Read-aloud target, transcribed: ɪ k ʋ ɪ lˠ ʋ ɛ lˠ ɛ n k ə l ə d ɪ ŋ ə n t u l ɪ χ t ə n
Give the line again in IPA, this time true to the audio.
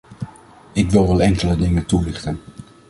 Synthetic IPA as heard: ɪ k ʋ ɪ lˠ ʋ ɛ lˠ ɛ ŋ k ə l ə d ɪ ŋ ə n t u l ɪ χ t ə n